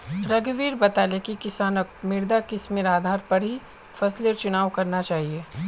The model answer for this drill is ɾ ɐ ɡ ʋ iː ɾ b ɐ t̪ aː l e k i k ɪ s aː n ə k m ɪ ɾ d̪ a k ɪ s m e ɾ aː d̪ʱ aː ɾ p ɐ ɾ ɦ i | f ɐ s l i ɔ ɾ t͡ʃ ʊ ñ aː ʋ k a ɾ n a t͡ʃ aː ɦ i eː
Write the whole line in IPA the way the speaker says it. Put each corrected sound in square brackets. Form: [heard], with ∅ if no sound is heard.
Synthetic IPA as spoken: ɾ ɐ ɡ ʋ iː ɾ b ɐ t̪ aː l e k i k ɪ s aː n ə k m ɪ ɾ d̪ a k ɪ s m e ɾ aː d̪ʱ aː ɾ p ɐ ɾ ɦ i | f ɐ s l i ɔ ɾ t͡ʃ ʊ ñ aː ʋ k [ɐ] ɾ n a t͡ʃ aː ɦ i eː